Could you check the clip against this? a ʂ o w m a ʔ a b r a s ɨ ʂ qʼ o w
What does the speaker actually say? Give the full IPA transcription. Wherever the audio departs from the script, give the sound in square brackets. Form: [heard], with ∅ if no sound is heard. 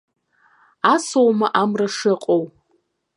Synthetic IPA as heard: a [s] o w m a ʔ a [m] r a [ʂ] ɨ [∅] qʼ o w